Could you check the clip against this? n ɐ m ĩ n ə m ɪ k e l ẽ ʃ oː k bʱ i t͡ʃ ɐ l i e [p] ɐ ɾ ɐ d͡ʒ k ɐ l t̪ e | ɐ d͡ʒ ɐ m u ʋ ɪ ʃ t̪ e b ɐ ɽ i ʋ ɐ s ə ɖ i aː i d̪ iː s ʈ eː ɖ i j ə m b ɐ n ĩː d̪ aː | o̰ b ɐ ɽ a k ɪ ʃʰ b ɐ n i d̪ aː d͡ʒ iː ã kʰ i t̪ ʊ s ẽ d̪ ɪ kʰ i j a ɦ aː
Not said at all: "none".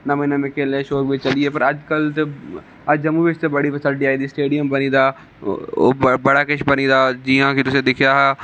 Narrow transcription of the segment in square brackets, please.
p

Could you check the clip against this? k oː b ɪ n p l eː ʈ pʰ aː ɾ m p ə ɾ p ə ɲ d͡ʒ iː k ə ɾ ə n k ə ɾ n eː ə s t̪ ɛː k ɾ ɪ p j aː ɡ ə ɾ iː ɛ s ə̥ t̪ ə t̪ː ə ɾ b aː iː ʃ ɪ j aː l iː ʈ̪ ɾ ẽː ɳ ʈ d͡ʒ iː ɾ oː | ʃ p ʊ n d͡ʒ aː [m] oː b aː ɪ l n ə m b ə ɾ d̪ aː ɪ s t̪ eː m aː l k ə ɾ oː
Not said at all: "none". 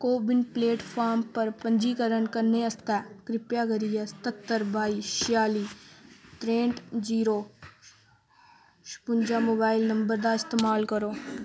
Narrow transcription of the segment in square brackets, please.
m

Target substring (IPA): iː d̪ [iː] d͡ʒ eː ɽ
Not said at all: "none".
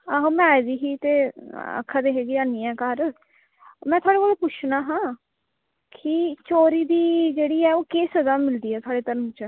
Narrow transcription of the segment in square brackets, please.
iː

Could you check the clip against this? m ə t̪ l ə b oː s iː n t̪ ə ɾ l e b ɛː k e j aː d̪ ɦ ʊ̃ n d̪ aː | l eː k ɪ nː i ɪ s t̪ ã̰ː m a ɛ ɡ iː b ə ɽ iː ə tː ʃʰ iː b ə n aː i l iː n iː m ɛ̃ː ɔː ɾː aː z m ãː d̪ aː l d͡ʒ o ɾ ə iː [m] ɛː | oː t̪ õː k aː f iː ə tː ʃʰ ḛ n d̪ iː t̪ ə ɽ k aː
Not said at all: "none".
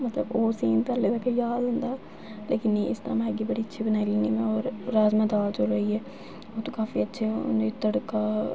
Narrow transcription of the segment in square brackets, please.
none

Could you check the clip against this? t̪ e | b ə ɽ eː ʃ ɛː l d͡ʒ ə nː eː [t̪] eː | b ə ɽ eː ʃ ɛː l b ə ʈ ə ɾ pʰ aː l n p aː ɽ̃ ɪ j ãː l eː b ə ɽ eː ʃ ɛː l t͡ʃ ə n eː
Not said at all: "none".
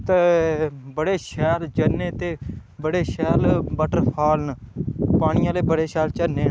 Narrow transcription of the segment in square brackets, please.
t̪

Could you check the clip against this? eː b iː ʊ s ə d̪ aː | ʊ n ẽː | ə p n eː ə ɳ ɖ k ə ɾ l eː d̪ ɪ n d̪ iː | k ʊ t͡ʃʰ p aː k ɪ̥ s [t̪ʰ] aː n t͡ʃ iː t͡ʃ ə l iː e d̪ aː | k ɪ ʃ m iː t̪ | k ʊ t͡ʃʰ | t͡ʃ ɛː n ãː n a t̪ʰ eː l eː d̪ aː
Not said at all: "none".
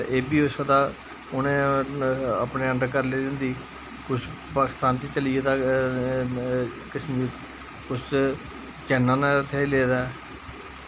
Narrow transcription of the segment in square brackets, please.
t̪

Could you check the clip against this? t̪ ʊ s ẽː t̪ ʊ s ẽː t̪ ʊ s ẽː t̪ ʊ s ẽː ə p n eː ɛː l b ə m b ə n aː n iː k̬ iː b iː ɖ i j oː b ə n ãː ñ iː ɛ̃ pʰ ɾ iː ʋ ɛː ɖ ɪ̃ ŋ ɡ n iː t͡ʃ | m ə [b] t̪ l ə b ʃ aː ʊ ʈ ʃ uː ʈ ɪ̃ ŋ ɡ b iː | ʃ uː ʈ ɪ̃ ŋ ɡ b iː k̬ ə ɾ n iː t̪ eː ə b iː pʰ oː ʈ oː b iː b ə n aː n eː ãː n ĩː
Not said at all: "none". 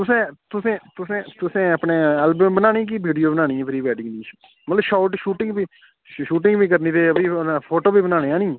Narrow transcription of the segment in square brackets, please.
none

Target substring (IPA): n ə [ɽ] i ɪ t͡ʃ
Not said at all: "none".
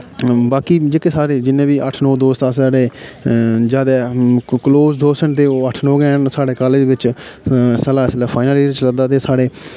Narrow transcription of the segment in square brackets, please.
l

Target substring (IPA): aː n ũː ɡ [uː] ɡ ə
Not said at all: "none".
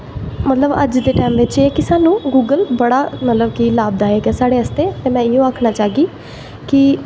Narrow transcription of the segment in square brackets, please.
uː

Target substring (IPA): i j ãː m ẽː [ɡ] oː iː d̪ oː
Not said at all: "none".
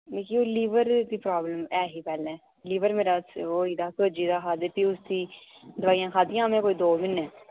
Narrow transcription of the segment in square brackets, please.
k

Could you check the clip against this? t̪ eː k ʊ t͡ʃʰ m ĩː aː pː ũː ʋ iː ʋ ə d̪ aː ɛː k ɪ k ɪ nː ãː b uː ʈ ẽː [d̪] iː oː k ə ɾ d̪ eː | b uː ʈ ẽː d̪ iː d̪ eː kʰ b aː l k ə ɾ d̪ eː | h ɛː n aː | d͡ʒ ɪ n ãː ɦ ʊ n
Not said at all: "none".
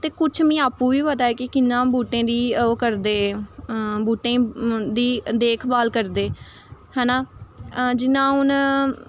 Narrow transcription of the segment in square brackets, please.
d̪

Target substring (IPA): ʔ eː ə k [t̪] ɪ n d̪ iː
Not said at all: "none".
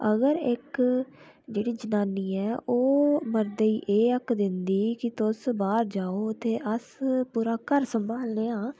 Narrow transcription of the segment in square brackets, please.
d̪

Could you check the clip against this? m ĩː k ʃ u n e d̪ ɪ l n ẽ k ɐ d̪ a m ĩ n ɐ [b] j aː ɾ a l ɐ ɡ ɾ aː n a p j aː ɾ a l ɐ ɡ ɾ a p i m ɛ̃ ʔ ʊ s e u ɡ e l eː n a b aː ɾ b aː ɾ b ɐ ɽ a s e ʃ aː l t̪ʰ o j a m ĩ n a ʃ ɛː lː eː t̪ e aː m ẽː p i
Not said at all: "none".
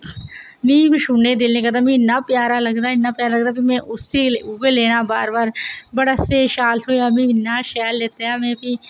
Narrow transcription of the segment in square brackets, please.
p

